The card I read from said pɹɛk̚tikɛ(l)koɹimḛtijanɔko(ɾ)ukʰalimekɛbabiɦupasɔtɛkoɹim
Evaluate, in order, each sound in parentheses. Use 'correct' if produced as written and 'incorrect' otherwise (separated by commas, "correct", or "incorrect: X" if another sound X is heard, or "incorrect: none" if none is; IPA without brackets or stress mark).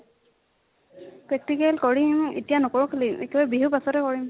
correct, incorrect: ɹ